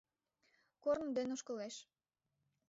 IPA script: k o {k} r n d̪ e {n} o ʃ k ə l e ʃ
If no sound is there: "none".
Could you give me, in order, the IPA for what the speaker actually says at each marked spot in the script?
none, n

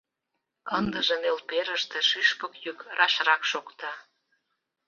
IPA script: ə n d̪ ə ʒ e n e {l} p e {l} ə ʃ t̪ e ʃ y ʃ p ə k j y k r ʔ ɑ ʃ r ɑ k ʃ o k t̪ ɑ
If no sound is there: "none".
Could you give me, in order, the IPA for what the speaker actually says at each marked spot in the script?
l, ɾ

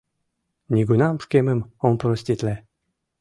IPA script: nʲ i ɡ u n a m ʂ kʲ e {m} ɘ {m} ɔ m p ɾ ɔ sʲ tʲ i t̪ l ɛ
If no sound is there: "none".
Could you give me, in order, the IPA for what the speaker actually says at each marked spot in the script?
m, m

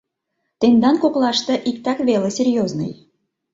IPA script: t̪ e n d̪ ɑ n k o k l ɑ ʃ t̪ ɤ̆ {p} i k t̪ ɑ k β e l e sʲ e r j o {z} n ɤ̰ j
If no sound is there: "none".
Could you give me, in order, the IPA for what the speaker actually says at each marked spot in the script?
ʔ, z

